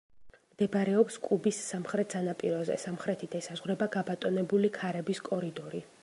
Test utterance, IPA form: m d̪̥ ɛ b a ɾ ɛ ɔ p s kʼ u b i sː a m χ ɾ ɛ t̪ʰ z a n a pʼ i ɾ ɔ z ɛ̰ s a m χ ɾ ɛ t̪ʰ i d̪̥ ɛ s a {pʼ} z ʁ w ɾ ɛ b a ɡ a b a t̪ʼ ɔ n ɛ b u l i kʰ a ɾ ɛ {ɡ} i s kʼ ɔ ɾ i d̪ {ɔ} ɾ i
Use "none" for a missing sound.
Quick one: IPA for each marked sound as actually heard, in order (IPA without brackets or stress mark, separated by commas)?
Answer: none, b, ɔ